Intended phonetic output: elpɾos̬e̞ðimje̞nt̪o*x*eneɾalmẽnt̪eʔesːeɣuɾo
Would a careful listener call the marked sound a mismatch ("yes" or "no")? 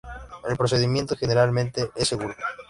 no